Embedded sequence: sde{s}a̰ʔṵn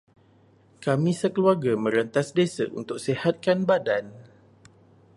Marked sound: correct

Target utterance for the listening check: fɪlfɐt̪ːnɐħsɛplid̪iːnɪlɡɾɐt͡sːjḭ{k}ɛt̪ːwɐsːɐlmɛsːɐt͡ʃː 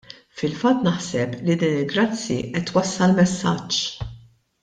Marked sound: incorrect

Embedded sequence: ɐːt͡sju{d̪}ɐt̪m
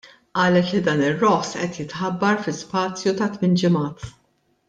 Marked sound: incorrect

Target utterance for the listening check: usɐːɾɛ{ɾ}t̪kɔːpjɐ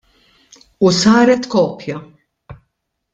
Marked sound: incorrect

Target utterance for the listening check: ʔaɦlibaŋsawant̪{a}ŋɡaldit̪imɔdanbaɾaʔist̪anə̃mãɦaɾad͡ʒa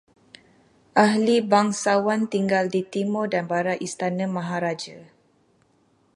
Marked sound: incorrect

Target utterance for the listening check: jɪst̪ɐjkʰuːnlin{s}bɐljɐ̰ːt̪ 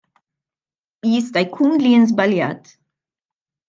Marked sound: incorrect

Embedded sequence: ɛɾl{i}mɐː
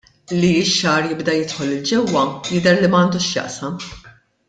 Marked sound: correct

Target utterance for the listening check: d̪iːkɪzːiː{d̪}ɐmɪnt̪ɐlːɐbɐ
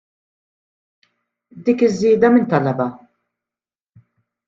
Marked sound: correct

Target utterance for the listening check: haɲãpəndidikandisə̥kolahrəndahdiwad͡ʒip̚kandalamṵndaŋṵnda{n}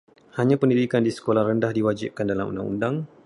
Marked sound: incorrect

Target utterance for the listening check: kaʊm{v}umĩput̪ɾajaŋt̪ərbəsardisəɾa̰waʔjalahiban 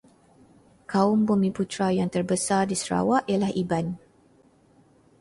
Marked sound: incorrect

